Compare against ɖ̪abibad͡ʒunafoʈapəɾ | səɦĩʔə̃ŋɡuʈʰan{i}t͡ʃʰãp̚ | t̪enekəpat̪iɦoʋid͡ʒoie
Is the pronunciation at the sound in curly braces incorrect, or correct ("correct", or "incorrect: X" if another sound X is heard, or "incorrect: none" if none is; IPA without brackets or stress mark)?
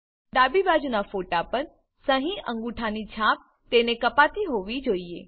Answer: correct